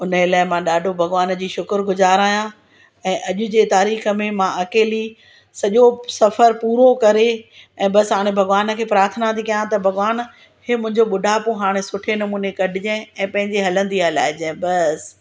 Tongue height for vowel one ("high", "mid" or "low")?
high